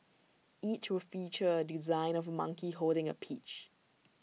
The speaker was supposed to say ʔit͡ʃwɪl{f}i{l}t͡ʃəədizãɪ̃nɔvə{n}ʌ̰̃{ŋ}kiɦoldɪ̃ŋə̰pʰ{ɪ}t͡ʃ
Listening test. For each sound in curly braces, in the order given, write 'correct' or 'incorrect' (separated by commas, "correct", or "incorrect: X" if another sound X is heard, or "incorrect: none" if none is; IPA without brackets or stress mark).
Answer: correct, incorrect: none, incorrect: m, correct, incorrect: i